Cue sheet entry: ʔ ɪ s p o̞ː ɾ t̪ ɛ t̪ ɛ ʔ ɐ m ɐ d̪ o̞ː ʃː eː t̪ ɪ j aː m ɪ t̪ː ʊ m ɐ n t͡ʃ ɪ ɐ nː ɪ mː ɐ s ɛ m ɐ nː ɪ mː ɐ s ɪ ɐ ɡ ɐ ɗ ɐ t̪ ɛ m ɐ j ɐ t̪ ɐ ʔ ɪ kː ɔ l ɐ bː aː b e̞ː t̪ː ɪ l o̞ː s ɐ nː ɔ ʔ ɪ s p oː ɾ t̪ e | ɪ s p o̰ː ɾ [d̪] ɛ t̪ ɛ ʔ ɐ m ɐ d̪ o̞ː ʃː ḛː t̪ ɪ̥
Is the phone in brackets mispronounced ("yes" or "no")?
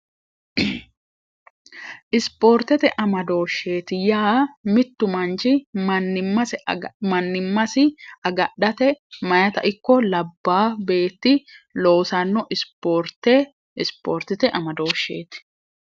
yes